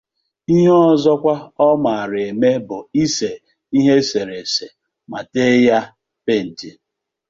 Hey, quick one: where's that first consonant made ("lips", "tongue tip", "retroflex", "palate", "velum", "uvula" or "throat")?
throat